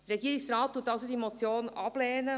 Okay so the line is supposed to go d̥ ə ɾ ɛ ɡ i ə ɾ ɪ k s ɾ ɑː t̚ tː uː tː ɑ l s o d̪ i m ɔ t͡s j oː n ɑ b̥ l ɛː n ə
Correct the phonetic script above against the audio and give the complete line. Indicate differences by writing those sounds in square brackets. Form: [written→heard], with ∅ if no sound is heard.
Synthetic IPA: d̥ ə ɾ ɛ ɡ i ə ɾ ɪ k s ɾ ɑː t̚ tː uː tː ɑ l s o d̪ i m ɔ t͡s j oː n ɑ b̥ l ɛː n ə